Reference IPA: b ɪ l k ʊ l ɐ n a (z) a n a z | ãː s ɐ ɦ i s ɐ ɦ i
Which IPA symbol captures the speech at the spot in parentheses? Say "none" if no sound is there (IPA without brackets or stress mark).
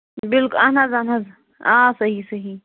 z